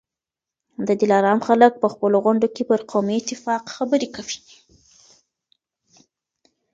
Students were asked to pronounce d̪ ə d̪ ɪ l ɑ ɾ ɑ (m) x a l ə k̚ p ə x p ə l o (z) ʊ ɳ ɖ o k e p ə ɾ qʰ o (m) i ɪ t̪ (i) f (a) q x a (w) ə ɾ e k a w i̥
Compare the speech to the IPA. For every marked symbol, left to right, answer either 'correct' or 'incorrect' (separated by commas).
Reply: correct, incorrect, correct, incorrect, incorrect, incorrect